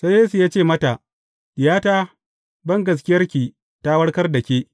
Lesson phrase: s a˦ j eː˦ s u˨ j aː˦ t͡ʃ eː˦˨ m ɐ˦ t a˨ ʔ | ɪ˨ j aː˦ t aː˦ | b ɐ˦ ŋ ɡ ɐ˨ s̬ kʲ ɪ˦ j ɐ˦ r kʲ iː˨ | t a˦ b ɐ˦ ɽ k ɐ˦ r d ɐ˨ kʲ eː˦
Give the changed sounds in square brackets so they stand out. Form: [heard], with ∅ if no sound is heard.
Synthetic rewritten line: s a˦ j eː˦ s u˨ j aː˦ t͡ʃ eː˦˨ m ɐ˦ t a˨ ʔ | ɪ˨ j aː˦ t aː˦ | b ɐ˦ ŋ ɡ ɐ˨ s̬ kʲ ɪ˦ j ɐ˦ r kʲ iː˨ | t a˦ [w] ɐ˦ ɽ k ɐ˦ r d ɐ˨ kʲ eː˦